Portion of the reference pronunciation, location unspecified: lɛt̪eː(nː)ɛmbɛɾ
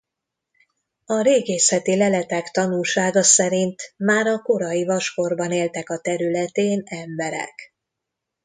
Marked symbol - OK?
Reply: no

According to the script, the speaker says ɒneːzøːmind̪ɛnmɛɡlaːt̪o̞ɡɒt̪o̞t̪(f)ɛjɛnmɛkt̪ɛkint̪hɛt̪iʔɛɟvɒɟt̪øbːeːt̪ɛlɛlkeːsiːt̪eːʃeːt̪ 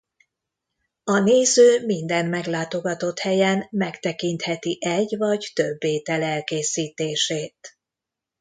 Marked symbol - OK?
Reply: no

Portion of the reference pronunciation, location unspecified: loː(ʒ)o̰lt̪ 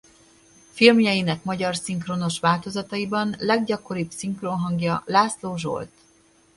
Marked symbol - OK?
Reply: yes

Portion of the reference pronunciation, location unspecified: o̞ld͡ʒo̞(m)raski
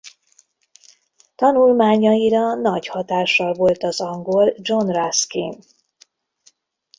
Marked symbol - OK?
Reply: no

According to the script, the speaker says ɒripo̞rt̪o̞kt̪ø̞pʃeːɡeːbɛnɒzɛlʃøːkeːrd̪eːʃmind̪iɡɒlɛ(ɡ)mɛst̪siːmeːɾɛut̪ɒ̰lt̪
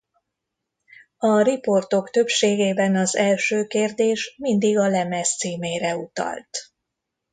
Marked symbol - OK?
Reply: no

